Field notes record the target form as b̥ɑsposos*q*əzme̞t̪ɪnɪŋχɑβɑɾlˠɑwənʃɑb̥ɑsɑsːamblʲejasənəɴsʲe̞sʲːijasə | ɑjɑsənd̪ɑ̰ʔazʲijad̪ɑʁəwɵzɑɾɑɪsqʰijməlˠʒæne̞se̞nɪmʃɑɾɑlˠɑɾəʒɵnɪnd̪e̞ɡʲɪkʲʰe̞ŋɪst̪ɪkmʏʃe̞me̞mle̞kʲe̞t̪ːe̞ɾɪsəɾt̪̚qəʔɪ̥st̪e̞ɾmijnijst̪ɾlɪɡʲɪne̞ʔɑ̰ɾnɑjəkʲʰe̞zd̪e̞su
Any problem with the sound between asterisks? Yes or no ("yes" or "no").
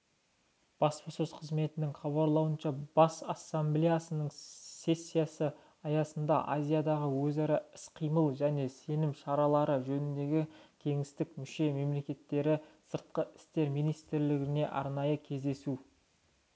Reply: yes